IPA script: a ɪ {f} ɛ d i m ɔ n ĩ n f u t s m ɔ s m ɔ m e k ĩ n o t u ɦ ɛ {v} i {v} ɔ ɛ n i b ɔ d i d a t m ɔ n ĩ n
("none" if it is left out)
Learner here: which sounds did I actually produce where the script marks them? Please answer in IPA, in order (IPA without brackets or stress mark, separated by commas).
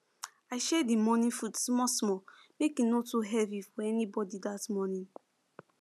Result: ʃ, v, f